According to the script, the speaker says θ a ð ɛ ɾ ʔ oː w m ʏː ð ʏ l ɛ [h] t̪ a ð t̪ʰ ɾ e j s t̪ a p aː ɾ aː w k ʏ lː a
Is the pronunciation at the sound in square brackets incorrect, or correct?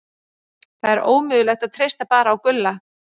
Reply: incorrect